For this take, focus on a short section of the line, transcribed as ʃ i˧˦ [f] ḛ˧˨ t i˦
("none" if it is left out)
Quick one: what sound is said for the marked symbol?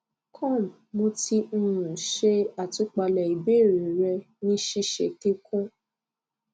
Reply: ʃ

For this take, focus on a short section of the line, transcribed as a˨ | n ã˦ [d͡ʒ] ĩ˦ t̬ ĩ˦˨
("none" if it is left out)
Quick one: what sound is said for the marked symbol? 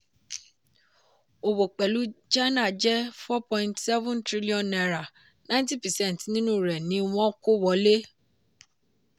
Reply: none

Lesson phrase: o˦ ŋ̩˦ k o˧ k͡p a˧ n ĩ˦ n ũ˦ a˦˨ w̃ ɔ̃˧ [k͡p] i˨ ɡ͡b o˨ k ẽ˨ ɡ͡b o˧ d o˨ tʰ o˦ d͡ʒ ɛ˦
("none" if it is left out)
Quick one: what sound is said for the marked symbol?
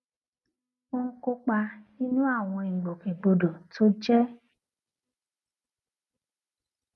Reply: none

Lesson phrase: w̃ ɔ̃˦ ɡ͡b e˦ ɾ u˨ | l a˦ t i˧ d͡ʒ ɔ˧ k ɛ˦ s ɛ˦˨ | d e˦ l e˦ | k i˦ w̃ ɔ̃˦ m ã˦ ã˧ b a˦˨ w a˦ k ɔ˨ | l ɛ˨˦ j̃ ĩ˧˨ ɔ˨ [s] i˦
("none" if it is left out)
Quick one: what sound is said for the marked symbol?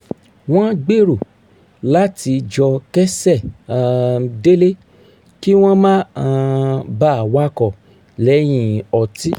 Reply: t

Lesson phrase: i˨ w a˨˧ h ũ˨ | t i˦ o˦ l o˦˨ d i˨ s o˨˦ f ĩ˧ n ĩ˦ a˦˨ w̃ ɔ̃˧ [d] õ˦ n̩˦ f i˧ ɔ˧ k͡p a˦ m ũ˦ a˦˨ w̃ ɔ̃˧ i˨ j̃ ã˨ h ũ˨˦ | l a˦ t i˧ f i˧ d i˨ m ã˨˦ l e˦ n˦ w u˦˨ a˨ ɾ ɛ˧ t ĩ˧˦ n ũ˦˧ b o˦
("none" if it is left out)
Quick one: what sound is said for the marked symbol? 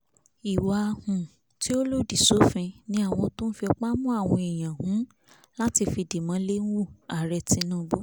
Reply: t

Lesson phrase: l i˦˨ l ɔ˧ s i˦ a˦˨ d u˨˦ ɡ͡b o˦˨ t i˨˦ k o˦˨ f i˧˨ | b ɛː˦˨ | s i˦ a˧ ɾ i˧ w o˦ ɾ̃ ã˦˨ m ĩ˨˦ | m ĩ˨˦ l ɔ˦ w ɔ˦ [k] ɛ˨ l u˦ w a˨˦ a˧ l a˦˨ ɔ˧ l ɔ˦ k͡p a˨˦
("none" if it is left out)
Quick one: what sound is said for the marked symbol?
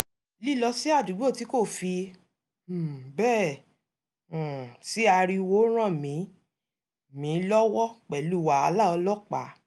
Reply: k͡p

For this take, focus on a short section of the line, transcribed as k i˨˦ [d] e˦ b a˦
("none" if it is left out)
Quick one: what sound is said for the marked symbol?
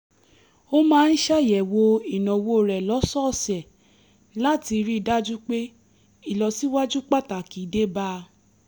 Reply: d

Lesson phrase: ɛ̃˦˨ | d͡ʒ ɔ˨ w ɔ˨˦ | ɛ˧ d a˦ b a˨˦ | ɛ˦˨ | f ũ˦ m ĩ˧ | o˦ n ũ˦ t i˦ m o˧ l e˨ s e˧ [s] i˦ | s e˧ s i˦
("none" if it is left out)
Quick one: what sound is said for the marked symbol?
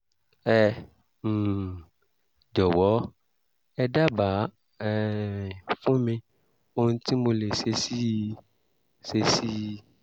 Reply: s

